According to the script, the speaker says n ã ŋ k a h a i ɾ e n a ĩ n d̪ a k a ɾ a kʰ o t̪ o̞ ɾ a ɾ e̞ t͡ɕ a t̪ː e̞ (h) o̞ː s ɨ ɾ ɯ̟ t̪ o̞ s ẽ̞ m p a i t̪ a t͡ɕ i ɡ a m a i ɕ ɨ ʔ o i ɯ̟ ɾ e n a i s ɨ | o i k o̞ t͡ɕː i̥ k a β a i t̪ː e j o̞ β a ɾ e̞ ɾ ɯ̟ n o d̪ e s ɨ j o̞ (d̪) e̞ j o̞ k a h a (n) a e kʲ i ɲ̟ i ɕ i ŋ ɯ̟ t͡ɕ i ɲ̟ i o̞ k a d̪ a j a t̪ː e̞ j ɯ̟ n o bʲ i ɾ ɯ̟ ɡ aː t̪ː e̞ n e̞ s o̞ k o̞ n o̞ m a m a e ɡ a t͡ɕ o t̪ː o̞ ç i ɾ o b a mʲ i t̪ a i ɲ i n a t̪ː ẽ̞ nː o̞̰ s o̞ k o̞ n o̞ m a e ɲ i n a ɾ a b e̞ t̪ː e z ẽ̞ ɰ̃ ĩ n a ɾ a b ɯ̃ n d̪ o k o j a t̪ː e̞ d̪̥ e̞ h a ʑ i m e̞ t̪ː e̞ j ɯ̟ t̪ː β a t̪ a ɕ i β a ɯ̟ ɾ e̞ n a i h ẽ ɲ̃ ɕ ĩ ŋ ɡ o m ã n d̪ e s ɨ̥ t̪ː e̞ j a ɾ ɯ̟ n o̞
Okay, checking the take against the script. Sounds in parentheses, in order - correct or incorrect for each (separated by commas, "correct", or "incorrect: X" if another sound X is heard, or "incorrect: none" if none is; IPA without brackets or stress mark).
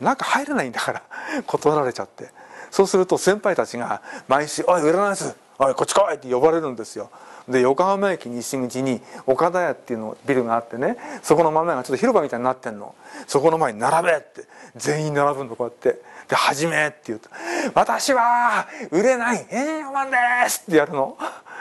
incorrect: s, correct, incorrect: m